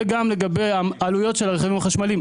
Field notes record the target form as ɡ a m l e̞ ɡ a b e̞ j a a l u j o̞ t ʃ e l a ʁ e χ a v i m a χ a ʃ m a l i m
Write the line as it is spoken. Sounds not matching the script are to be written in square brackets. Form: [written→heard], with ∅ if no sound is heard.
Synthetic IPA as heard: ɡ a m l e̞ ɡ a b e̞ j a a l u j o̞ t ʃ e l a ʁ e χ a v i m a χ a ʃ m a l i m

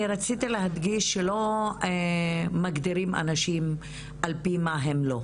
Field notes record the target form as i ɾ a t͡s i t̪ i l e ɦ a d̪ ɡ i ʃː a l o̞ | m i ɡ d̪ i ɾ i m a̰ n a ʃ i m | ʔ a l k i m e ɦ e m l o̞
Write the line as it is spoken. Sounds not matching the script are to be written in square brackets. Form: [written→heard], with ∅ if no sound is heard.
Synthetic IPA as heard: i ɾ a t͡s i t̪ i l e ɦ a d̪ ɡ i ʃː [a→e] l o̞ | m [i→a] ɡ d̪ i ɾ i m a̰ n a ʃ i m | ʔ a l [k→p] i m [e→a] ɦ e m l o̞

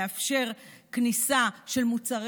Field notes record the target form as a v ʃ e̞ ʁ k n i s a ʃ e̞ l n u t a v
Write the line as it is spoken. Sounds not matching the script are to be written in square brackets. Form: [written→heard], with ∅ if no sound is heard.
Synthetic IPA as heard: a [v→f] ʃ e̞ ʁ k n i s a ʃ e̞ l [n→m] u [t→t͡s] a [v→ʁ]

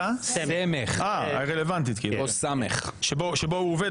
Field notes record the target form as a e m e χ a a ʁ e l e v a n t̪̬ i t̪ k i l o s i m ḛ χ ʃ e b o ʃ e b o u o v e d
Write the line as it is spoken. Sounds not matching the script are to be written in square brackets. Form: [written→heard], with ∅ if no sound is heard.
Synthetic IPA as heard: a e m e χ a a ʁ e l e v a n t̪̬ i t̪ k i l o s [i→a] m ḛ χ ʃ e b o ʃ e b o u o v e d

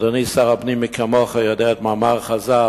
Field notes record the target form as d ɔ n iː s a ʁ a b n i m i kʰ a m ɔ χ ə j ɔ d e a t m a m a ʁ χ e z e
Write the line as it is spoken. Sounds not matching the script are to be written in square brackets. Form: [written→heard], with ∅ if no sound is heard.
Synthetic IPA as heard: d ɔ n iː s a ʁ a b n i m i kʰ a m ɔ χ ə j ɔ d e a t m a m a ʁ χ [e→a] z [e→a]

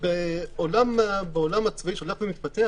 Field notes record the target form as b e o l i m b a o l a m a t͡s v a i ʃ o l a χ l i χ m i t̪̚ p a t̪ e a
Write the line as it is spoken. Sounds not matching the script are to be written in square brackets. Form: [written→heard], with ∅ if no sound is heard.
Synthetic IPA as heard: b e o l [i→a] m b [a→e] o l a m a t͡s v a i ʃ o l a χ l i [χ→∅] m i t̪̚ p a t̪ e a

